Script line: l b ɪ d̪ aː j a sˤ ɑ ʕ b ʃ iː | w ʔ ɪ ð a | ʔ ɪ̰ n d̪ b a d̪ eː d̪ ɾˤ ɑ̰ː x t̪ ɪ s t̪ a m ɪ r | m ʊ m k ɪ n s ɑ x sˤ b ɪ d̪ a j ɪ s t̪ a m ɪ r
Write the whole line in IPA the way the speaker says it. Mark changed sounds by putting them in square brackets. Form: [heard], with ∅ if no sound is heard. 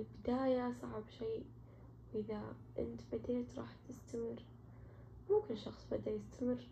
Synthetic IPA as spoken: l b ɪ d̪ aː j a sˤ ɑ ʕ b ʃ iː | w ʔ ɪ ð a | ʔ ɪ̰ n [t̪] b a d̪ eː [t̪] ɾˤ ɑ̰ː [ħ] t̪ ɪ s t̪ a m ɪ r | m ʊ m k ɪ n [ʃ] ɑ x sˤ b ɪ d̪ a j ɪ s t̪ a m ɪ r